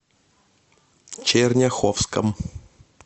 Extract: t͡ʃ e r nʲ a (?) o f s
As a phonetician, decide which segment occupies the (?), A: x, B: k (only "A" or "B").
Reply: A